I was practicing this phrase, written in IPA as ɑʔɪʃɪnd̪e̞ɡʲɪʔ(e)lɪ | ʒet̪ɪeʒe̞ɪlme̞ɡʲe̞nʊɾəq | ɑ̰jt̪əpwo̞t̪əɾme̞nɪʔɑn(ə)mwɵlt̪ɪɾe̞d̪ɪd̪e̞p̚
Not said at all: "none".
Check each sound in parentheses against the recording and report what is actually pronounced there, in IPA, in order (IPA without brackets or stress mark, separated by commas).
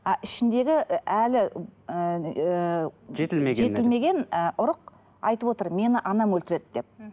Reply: æ, ɑ